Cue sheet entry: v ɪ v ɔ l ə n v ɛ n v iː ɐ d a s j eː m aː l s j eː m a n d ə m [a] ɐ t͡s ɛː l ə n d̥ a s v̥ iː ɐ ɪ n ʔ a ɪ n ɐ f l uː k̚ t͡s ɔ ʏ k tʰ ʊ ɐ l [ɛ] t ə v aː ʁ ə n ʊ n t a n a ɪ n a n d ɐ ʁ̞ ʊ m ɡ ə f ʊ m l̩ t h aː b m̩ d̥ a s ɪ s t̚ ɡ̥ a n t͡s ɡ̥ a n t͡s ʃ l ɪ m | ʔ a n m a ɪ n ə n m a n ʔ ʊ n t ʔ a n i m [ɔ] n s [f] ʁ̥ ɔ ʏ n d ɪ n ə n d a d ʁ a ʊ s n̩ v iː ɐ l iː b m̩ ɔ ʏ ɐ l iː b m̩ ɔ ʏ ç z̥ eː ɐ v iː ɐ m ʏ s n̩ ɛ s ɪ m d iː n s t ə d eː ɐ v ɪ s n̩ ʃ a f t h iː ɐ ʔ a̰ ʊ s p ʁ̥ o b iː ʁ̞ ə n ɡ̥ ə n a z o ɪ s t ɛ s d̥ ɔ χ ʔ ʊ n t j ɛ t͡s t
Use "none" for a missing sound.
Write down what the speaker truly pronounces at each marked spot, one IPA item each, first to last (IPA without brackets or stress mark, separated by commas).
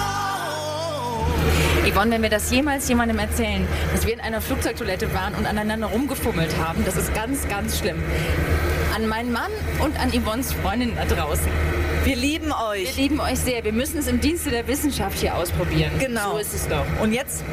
ɛ, ɛ, ɔ, f